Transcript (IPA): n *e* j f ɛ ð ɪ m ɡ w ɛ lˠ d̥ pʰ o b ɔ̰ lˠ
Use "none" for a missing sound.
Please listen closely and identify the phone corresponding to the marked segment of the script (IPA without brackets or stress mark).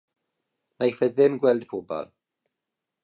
a